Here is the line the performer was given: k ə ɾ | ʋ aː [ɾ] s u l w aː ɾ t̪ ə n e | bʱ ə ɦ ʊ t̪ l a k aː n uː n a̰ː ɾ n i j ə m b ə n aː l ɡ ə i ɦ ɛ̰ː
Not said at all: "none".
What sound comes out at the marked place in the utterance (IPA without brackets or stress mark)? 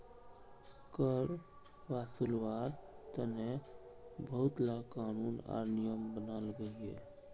none